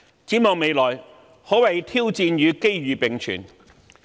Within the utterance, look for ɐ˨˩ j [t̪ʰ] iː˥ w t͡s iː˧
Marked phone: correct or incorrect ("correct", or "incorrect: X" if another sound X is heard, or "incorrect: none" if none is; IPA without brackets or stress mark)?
correct